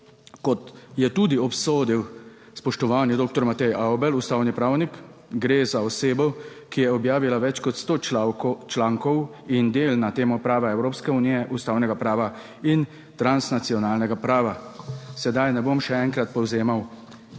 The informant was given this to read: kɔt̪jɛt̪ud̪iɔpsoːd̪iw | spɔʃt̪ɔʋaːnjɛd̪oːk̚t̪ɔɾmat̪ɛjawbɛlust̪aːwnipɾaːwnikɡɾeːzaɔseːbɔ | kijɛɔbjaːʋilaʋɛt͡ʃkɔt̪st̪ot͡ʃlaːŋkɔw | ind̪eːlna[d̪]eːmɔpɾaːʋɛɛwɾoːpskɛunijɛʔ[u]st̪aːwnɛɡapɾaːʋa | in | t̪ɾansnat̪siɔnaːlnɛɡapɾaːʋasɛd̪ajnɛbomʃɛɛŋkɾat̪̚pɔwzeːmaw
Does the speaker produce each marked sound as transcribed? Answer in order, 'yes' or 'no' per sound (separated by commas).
no, yes